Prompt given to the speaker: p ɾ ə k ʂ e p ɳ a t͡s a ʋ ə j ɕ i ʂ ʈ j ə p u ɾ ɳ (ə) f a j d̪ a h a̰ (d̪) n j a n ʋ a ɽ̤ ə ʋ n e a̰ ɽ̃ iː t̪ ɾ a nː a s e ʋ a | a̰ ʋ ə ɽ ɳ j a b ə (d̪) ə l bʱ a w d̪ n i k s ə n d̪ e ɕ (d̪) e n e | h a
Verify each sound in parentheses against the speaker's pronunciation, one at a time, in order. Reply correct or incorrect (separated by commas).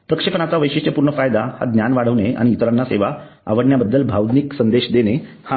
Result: correct, correct, incorrect, correct